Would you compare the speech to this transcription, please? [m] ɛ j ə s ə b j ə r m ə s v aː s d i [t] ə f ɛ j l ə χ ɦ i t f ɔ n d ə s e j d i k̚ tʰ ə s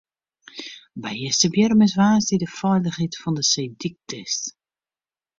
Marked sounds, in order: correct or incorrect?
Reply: incorrect, incorrect

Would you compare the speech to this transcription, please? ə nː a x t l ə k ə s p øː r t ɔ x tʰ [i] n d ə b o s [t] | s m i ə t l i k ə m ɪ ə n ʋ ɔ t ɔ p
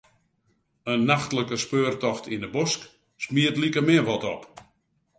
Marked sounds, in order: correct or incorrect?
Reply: correct, incorrect

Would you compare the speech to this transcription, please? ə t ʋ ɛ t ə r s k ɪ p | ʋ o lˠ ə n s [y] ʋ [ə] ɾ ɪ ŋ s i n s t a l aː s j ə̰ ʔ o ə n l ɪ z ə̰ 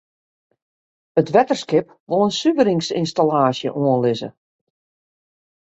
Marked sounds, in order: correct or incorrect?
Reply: correct, correct

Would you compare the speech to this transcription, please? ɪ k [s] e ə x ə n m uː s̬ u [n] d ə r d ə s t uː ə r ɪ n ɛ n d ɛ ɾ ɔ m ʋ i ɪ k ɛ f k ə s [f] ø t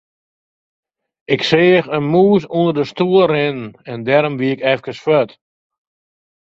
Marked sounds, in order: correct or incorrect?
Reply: correct, correct, correct

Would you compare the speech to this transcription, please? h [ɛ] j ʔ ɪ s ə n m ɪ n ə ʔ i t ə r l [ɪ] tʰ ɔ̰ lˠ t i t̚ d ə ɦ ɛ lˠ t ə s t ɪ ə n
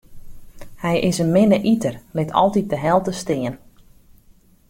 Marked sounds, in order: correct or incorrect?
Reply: correct, correct

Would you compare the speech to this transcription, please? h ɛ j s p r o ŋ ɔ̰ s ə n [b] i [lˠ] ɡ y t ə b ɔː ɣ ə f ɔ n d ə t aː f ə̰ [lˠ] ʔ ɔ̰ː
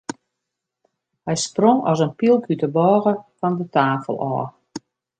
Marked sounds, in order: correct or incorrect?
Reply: incorrect, correct, correct

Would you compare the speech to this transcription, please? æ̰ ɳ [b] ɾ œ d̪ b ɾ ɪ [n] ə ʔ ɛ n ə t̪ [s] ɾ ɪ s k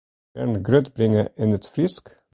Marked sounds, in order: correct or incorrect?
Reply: incorrect, incorrect, incorrect

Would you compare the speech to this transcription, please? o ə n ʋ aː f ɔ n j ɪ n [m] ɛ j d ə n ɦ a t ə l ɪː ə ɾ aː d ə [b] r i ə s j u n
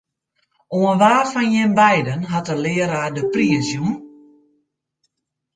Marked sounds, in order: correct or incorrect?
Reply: incorrect, incorrect

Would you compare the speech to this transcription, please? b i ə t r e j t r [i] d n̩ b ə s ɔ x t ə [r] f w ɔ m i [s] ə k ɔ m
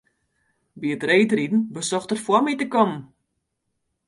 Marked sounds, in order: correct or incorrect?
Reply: correct, correct, incorrect

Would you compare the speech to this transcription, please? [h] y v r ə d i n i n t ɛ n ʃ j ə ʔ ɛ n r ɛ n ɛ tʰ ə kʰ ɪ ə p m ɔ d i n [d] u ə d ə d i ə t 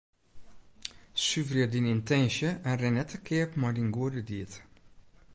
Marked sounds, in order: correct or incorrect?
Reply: incorrect, incorrect

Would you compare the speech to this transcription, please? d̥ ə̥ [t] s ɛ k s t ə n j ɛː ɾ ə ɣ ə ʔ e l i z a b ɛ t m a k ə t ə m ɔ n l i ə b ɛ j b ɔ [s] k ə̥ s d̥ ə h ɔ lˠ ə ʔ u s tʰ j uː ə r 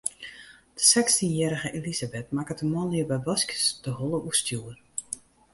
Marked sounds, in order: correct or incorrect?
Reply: incorrect, correct

